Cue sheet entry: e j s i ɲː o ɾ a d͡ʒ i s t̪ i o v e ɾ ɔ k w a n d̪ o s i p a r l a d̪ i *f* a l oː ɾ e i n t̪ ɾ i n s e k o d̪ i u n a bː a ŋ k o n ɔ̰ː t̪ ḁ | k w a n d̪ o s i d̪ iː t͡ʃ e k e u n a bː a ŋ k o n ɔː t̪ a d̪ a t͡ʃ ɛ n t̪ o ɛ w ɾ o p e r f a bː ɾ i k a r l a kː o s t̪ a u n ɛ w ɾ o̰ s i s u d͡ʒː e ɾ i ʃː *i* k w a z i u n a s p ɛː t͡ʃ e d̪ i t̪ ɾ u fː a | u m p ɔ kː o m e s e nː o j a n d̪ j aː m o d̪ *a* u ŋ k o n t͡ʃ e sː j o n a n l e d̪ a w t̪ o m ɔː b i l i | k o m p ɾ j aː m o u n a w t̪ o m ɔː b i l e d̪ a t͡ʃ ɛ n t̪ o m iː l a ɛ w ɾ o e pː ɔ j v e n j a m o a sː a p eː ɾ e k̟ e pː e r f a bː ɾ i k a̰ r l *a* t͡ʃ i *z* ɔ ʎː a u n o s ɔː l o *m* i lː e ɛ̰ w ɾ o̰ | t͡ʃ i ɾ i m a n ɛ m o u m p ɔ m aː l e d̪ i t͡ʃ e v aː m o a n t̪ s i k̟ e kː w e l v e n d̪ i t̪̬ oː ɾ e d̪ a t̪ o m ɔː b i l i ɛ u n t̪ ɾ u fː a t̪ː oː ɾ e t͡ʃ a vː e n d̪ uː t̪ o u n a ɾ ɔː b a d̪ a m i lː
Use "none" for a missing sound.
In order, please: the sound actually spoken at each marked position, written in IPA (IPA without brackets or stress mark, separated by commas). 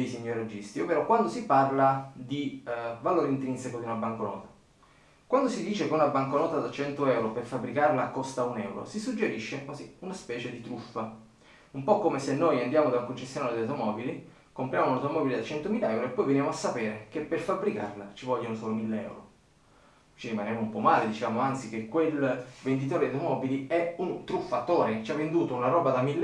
v, e, a, a, v, m